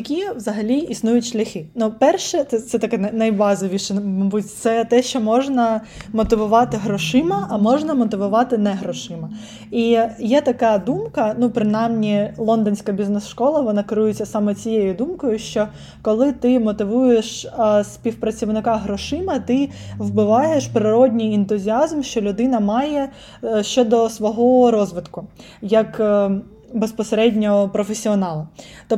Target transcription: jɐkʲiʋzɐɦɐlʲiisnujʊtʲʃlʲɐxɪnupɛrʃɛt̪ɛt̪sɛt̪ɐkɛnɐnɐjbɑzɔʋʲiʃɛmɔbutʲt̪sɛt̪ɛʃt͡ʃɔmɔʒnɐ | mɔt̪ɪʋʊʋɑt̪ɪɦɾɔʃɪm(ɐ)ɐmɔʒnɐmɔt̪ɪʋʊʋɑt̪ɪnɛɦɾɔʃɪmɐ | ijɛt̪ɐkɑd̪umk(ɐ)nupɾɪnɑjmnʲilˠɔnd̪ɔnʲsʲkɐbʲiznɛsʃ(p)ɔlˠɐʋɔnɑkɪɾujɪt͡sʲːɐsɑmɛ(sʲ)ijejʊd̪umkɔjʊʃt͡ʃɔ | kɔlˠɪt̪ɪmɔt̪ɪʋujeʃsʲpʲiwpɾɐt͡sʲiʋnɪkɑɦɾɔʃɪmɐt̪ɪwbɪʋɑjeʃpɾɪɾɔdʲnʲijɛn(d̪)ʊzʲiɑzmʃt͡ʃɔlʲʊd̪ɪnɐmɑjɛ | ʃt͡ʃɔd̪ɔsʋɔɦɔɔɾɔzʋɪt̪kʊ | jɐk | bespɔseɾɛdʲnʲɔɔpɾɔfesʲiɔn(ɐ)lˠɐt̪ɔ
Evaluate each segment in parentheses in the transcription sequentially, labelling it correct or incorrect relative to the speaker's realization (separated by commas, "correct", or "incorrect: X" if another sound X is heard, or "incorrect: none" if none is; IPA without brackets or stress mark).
correct, correct, incorrect: k, incorrect: t͡sʲ, incorrect: t̪, incorrect: ɑ